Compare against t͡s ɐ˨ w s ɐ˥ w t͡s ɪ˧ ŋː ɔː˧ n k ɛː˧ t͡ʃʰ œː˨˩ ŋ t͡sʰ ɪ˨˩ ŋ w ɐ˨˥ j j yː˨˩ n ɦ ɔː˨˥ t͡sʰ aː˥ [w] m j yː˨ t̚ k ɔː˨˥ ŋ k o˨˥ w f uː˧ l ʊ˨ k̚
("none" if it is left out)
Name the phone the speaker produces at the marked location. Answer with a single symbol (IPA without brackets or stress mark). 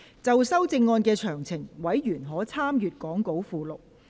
none